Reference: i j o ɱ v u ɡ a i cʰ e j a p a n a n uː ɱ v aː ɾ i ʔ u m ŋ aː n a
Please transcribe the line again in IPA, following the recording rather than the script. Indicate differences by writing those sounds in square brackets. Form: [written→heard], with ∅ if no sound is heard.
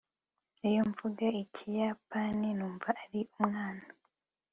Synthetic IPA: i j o ɱ v u ɡ a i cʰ [e→i] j a p a n [a→i] n uː ɱ v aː ɾ i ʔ u m ŋ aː n a